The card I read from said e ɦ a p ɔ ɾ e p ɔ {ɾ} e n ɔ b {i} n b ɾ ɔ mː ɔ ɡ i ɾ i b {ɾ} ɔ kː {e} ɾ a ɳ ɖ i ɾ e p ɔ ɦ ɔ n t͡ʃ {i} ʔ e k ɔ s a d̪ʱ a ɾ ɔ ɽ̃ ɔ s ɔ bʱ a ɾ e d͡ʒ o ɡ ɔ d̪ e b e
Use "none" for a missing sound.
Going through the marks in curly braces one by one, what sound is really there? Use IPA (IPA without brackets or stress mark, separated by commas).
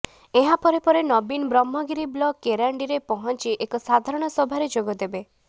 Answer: ɾ, i, l, e, i